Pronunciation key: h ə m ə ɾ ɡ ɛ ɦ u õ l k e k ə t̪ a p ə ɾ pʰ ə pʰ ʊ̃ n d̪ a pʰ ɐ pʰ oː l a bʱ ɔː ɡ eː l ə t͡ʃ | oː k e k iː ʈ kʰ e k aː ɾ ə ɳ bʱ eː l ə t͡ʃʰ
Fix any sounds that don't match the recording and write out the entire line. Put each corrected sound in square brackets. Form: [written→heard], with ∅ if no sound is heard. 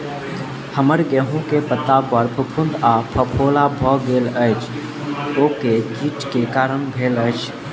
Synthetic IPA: h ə m ə ɾ ɡ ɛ ɦ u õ [l→∅] k e [k→p] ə t̪ a p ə ɾ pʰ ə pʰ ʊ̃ n d̪ a pʰ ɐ pʰ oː l a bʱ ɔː ɡ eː l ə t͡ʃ | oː k e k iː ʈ [kʰ→k] e k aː ɾ ə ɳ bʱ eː l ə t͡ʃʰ